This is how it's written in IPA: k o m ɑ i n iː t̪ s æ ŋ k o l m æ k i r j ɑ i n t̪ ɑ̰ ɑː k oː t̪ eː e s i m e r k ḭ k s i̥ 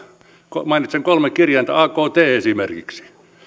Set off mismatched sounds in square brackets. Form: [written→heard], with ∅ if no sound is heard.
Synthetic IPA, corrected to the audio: k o m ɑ i n [iː→i] t̪ s [æ→e] ŋ k o l m [æ→e] k i r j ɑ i n t̪ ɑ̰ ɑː k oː t̪ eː e s i m e r k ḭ k s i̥